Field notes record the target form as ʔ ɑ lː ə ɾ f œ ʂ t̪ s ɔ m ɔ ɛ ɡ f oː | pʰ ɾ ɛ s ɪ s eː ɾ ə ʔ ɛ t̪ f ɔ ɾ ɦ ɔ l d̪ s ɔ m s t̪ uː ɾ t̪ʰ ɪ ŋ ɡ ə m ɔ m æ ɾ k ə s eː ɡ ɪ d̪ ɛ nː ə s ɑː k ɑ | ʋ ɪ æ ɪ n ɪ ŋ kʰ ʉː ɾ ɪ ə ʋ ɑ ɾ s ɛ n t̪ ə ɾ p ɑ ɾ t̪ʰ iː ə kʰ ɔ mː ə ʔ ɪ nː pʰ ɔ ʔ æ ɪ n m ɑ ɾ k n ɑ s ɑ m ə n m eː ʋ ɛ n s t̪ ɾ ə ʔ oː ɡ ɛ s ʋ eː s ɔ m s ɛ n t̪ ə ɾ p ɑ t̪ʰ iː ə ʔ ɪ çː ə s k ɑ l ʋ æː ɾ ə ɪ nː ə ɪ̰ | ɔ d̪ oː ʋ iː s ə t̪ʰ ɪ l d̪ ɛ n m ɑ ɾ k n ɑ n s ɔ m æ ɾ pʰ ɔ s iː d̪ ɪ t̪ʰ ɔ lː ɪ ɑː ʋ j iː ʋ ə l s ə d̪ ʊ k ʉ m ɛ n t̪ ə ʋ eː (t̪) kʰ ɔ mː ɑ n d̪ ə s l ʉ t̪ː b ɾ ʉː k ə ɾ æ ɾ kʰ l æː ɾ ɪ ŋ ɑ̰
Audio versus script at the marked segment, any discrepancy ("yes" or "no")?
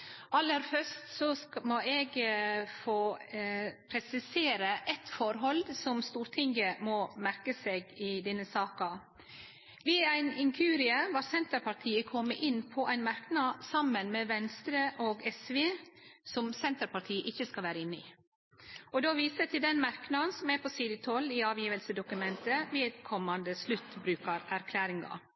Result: yes